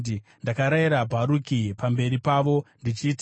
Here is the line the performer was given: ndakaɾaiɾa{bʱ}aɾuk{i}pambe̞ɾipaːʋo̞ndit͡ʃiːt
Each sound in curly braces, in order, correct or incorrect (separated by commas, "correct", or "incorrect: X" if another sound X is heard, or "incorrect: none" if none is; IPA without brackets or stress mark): correct, correct